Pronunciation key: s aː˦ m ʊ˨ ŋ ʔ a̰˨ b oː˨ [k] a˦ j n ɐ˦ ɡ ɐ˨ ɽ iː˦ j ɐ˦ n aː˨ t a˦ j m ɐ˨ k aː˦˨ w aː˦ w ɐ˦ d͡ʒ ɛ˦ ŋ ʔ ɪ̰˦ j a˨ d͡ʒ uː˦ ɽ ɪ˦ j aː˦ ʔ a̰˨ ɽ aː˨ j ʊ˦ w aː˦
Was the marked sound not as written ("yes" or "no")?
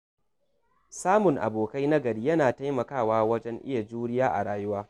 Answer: no